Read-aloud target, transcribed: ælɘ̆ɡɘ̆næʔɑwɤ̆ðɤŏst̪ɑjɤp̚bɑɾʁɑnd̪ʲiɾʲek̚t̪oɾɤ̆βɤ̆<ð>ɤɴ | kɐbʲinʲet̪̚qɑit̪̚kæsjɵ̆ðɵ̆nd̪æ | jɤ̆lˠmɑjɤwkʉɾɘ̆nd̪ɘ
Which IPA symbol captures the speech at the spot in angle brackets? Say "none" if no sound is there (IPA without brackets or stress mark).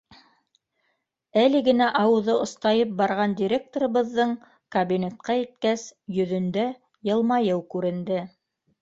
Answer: ðː